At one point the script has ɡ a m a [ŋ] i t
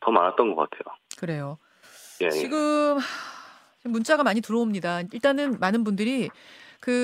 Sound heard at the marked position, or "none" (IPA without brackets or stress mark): ɲ